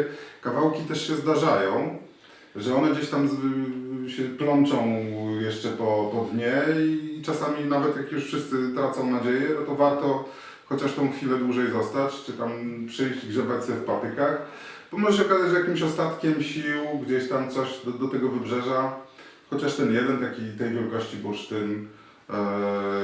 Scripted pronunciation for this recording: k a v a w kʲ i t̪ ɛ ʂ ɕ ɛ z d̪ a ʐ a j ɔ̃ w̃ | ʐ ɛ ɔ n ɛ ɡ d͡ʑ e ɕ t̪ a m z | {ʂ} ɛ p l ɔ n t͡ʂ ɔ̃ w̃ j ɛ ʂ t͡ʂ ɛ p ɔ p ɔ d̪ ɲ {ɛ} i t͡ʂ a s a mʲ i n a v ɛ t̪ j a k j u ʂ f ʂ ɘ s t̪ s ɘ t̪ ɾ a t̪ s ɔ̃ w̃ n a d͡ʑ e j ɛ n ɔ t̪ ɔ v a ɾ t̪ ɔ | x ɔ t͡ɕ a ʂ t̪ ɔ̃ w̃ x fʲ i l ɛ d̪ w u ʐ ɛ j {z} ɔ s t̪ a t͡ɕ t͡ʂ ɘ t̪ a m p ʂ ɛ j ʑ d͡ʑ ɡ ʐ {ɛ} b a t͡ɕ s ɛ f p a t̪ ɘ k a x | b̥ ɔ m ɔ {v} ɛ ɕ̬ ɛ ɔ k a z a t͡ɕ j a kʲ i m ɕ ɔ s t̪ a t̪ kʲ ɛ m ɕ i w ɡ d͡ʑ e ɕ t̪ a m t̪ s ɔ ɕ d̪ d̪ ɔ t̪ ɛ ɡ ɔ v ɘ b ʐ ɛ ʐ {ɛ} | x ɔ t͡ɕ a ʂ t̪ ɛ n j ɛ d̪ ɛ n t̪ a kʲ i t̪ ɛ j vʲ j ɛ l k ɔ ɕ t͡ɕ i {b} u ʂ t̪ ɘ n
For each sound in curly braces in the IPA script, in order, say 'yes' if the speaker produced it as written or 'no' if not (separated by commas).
no, yes, yes, yes, no, no, yes